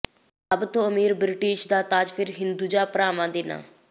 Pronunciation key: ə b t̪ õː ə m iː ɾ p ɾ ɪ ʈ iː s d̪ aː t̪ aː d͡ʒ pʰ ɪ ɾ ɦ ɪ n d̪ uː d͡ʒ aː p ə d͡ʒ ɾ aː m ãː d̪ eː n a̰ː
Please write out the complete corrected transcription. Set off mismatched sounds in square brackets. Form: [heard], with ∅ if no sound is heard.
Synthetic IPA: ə b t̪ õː ə m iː ɾ [b] ɾ ɪ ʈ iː [ʃ] d̪ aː t̪ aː d͡ʒ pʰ ɪ ɾ ɦ ɪ n d̪ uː d͡ʒ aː p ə [∅] ɾ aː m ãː d̪ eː n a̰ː